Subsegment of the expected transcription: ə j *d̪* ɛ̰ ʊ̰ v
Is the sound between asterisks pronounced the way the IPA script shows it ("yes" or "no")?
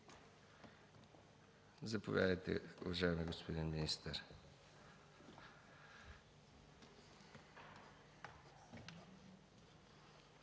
no